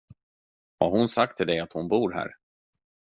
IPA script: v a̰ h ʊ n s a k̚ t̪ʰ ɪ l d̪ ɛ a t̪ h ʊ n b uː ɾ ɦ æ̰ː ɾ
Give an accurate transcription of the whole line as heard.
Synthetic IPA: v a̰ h ʊ n s a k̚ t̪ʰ ɪ l d̪ ɛ a t̪ h ʊ n b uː ɾ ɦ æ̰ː ɾ